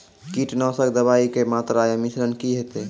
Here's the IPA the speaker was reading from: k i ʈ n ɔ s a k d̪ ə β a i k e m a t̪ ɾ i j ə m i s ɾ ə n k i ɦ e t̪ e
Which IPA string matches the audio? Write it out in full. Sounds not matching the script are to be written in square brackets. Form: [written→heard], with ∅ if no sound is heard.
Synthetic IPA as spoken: k i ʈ n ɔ s [a→ə] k d̪ ə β a i k e m a t̪ ɾ [i→a] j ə m i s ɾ ə n k i ɦ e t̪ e